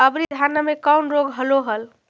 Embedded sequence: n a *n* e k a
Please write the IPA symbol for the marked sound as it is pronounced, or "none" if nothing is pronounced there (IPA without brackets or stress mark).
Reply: m